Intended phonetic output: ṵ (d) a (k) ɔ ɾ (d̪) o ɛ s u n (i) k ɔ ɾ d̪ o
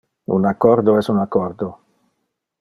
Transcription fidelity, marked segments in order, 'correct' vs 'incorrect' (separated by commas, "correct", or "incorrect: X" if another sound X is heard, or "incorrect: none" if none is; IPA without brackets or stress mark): incorrect: n, correct, correct, incorrect: a